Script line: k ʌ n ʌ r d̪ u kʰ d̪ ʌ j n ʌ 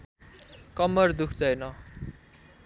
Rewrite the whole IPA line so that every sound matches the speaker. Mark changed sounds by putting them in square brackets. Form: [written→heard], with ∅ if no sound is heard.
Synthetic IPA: k ʌ [n→m] ʌ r d̪ u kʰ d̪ ʌ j n ʌ